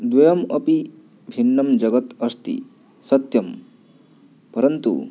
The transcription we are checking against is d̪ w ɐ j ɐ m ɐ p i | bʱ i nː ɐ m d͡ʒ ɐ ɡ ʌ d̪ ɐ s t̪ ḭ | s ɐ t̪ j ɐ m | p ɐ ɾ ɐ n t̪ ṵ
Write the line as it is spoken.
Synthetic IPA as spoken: d̪ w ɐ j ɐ m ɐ p i | bʱ i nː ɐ m d͡ʒ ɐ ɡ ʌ t̪ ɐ s t̪ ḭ | s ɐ t̪ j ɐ m | p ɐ ɾ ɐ n t̪ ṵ